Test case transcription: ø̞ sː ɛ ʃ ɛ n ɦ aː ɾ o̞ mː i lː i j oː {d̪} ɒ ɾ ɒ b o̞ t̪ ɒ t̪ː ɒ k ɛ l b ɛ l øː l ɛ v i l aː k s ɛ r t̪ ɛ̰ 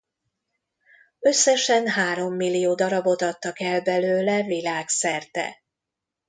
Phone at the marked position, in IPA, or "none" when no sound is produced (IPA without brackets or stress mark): d̪